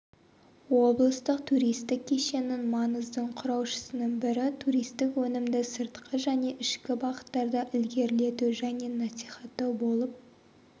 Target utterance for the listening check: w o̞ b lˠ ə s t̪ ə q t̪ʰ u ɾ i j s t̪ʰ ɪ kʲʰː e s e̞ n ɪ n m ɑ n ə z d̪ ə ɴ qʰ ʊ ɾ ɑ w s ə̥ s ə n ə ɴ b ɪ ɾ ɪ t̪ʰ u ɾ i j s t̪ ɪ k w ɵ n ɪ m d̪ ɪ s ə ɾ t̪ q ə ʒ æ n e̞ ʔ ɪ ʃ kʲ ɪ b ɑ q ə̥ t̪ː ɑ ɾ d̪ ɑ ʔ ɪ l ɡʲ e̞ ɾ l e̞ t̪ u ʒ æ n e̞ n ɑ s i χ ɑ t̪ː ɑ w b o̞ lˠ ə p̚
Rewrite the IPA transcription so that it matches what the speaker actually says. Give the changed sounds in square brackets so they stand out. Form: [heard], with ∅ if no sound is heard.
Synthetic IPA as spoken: w o̞ b lˠ ə s t̪ ə q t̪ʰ u ɾ i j s [t̪] ɪ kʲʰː e [ʃ] e̞ n ɪ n m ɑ n ə z d̪ ə ɴ qʰ ʊ ɾ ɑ w [ʃ] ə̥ s ə n ə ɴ b ɪ ɾ ɪ t̪ʰ u ɾ i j s t̪ ɪ k w ɵ n ɪ m d̪ ɪ s ə ɾ t̪ q ə ʒ æ n e̞ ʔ ɪ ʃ kʲ ɪ b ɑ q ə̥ t̪ː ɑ ɾ d̪ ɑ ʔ ɪ l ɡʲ e̞ ɾ l e̞ t̪ u ʒ æ n e̞ n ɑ s i χ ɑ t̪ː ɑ w b o̞ lˠ ə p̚